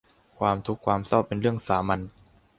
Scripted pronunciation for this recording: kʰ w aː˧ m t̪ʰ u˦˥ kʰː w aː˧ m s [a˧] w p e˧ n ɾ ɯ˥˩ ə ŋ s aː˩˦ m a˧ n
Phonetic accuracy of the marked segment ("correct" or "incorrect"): incorrect